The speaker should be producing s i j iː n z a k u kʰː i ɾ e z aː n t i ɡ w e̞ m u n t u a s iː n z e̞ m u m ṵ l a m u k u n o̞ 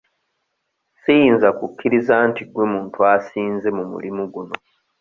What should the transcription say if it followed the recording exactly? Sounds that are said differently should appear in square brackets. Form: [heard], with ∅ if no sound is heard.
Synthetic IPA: s i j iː n z a k u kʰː i ɾ [i] z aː n t i ɡ w e̞ m [uː] n t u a s iː n z e̞ m u m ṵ l [i] m u [ɡ] u n o̞